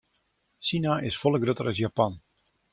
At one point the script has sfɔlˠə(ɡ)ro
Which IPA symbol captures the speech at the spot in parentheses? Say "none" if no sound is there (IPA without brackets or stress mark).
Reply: ɡ